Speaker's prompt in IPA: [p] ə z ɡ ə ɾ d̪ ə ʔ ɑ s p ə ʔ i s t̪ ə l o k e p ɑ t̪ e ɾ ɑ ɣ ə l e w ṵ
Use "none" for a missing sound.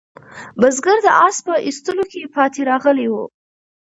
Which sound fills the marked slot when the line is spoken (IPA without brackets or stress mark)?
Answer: b